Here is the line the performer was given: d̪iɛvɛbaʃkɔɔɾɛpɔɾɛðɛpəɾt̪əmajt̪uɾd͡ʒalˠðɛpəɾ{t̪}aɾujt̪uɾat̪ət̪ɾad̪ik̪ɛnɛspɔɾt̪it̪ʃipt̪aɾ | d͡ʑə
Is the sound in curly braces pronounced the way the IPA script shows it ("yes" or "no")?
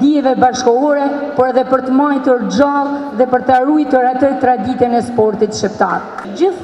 yes